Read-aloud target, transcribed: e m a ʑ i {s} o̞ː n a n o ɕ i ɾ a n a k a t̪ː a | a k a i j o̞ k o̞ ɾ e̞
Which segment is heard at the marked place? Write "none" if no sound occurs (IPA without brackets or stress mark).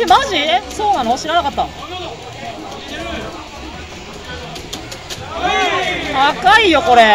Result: s